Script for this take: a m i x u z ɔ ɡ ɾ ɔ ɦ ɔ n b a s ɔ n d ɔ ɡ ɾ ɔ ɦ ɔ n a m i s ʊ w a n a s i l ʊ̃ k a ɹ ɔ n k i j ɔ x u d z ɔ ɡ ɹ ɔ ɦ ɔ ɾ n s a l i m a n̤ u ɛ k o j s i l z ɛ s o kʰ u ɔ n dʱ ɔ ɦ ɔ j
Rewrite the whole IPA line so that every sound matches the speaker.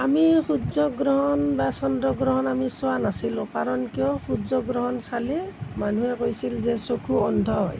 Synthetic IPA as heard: a m i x u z ɔ ɡ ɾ ɔ ɦ ɔ n b a s ɔ n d ɔ ɡ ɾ ɔ ɦ ɔ n a m i s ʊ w a n a s i l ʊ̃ k a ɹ ɔ n k i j ɔ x u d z ɔ ɡ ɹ ɔ ɦ ɔ n s a l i m a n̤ u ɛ k o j s i l z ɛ s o kʰ u ɔ n dʱ ɔ ɦ ɔ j